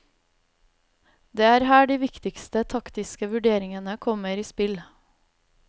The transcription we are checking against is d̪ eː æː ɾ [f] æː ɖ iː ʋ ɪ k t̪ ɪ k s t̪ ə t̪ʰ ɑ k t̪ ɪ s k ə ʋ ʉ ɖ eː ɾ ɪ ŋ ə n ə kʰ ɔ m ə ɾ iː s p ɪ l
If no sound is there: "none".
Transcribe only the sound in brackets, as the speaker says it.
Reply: h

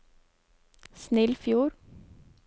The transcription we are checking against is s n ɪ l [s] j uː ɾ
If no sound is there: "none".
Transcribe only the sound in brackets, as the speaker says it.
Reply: f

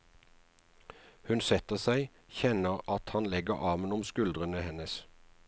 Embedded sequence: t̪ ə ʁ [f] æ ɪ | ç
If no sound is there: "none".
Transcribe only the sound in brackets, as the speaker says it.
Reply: s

